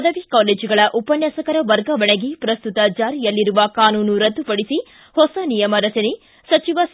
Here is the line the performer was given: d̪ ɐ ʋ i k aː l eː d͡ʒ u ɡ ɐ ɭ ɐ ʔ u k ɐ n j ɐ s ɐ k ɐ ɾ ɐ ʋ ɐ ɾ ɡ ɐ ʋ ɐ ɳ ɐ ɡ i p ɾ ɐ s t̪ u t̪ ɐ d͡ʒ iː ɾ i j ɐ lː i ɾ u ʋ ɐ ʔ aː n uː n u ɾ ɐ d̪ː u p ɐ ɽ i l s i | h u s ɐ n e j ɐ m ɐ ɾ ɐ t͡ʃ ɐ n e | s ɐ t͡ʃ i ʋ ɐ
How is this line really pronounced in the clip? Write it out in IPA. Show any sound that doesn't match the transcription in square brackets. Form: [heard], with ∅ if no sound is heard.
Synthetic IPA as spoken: d̪ ɐ ʋ i k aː l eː d͡ʒ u ɡ ɐ ɭ ɐ ʔ u [p] ɐ n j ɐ s ɐ k ɐ ɾ ɐ ʋ ɐ ɾ ɡ ɐ ʋ ɐ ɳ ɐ ɡ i p ɾ ɐ s t̪ u t̪ ɐ d͡ʒ [aː] ɾ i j ɐ lː i ɾ u ʋ ɐ [k] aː n uː n u ɾ ɐ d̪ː u p ɐ ɽ i [∅] s i | h [ɔ] s ɐ n [i] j ɐ m ɐ ɾ ɐ t͡ʃ ɐ n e | s ɐ t͡ʃ i ʋ ɐ